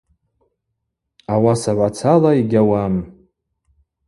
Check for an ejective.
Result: absent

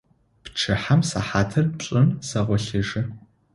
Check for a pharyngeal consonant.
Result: present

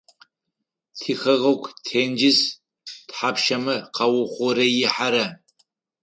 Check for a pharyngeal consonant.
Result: present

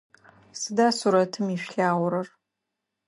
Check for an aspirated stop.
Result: present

